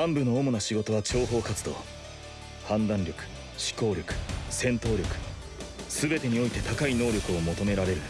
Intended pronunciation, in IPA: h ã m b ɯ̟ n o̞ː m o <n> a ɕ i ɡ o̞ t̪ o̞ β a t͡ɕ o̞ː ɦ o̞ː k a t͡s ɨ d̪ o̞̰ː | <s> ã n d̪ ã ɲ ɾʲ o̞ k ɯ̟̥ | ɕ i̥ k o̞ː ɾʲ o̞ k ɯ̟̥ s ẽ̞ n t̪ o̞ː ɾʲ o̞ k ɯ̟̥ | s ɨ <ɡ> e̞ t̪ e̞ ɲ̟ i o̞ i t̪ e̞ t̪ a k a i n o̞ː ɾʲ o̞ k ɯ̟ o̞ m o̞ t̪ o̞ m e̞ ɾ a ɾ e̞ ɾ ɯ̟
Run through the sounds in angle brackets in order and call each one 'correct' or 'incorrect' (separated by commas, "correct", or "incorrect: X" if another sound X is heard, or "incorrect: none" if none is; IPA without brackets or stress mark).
correct, incorrect: h, incorrect: b